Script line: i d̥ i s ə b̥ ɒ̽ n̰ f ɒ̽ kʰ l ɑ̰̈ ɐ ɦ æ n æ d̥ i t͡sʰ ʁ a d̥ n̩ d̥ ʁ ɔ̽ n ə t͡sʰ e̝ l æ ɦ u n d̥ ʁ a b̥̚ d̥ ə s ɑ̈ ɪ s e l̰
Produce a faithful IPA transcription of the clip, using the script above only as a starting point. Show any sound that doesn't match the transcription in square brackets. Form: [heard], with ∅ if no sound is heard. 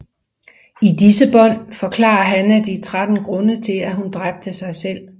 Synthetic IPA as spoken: i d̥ i s ə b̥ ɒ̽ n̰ f ɒ̽ kʰ l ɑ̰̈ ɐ ɦ æ n æ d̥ i t͡sʰ ʁ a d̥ n̩ [ɡ̥] ʁ ɔ̽ n ə t͡sʰ e̝ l æ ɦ u n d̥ ʁ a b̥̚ d̥ ə s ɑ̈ ɪ s e l̰